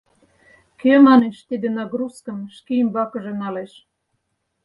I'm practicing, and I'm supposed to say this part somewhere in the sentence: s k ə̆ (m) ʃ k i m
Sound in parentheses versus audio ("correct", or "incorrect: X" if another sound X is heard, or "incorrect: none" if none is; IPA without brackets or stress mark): correct